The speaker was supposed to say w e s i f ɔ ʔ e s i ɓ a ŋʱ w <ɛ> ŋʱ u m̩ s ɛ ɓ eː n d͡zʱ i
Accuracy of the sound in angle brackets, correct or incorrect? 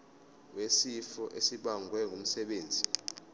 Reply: correct